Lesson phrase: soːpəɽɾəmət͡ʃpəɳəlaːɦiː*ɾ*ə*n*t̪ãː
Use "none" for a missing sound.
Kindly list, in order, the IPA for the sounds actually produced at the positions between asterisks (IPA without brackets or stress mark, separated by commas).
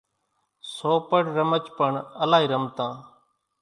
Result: ɾ, m